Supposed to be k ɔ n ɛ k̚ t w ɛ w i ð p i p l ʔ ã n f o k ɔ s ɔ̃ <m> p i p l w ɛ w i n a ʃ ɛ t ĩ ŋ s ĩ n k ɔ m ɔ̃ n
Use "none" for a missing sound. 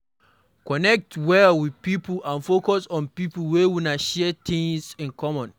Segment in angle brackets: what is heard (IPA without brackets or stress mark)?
n